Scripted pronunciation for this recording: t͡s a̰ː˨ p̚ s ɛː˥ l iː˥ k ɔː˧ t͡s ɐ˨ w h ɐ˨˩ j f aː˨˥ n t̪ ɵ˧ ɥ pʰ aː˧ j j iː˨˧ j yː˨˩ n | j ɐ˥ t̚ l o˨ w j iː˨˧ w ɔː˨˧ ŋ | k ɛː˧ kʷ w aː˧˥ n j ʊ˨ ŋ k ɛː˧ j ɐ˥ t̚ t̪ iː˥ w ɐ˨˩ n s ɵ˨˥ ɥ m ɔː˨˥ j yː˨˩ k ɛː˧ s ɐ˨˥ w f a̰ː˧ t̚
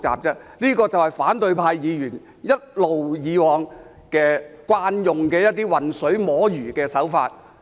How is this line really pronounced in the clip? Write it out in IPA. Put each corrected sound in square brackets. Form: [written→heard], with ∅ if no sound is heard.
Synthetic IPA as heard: t͡s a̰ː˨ p̚ [s→t͡s] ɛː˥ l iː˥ k ɔː˧ t͡s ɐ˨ w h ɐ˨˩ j f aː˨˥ n t̪ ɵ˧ ɥ pʰ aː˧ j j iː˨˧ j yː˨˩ n | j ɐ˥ t̚ l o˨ w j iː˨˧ w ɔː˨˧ ŋ | k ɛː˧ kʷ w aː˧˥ n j ʊ˨ ŋ k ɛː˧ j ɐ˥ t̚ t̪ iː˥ w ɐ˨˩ n s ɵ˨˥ ɥ m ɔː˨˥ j yː˨˩ k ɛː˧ s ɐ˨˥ w f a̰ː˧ t̚